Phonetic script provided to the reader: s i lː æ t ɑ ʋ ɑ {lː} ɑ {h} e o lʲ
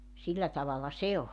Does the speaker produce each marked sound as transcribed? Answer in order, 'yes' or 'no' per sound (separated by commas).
no, no